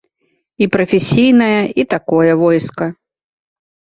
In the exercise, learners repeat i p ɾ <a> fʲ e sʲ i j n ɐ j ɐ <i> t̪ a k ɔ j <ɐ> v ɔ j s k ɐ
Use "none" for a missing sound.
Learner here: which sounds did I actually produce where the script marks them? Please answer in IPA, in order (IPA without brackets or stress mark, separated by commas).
ɐ, i, ɐ